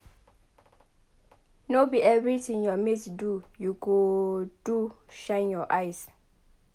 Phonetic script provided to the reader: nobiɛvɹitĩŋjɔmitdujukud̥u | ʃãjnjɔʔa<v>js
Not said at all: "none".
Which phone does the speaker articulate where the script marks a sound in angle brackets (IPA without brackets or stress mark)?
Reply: none